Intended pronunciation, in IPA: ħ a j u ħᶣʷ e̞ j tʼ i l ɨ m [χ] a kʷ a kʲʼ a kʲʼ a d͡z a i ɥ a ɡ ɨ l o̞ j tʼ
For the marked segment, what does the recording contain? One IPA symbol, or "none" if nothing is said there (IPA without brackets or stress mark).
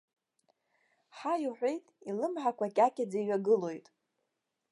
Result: ħ